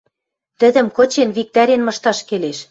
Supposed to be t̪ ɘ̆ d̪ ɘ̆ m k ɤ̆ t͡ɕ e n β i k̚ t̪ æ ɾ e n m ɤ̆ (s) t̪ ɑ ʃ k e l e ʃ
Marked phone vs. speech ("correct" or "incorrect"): incorrect